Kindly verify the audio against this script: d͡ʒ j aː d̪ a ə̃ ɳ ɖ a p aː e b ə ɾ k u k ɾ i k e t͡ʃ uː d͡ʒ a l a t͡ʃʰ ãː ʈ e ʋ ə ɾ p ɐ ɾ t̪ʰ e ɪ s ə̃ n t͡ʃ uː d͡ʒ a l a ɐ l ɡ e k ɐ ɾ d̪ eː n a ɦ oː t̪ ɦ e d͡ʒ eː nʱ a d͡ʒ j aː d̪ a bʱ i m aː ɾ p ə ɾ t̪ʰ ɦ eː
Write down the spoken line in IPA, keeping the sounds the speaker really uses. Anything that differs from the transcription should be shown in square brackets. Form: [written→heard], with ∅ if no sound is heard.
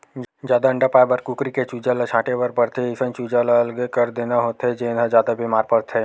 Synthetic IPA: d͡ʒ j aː d̪ a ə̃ ɳ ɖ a p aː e b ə ɾ k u k ɾ i k e t͡ʃ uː d͡ʒ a l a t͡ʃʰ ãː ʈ e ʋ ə ɾ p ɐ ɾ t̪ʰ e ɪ s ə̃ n t͡ʃ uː d͡ʒ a l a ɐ l ɡ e k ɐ ɾ d̪ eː n a ɦ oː t̪ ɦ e d͡ʒ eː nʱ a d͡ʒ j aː d̪ a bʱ i m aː ɾ p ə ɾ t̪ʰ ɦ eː